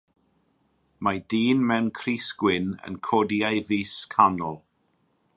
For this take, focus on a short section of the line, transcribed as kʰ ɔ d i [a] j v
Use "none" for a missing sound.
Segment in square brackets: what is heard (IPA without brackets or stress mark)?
a